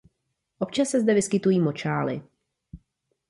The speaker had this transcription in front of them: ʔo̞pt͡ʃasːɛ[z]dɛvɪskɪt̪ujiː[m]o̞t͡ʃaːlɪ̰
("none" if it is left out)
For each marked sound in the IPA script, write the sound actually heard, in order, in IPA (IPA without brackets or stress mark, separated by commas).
z, m